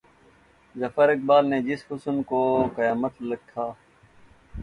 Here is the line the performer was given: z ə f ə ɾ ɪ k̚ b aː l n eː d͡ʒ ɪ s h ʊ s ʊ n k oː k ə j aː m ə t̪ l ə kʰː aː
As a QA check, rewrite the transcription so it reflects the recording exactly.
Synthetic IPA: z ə f ə ɾ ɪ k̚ b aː l n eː d͡ʒ ɪ s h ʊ s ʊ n k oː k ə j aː m ə t̪ l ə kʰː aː